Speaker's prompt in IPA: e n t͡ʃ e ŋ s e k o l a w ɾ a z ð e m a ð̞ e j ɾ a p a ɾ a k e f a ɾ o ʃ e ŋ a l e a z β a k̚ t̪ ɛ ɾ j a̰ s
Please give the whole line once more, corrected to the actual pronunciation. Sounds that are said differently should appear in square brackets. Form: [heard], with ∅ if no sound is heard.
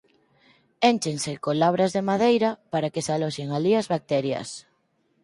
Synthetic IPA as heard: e n t͡ʃ e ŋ s e k o l a [β] ɾ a z ð e m a ð̞ e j ɾ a p a ɾ a k e [s] a [l] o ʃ e ŋ a l [i] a z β a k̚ t̪ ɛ ɾ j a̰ s